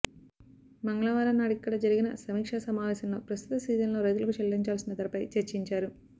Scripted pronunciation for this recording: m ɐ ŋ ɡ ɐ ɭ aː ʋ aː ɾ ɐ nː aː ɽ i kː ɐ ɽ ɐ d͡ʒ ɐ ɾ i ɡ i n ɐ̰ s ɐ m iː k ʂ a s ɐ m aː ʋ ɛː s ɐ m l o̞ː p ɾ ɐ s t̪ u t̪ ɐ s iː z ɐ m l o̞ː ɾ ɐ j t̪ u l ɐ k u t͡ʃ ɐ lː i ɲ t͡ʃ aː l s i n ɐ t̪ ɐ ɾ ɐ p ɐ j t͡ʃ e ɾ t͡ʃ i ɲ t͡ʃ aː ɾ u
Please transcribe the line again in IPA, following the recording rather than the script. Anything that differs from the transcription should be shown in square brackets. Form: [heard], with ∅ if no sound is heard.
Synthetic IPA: m ɐ ŋ ɡ ɐ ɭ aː ʋ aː ɾ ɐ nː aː ɽ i kː ɐ ɽ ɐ d͡ʒ ɐ ɾ i ɡ i n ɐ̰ s ɐ m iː k ʂ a s ɐ m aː ʋ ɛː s ɐ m l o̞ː p ɾ ɐ s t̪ u t̪ ɐ s iː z ɐ [n] l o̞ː ɾ ɐ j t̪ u l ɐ k u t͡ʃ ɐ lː i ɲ t͡ʃ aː l s i n ɐ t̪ ɐ ɾ ɐ p ɐ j t͡ʃ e ɾ t͡ʃ i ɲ t͡ʃ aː ɾ u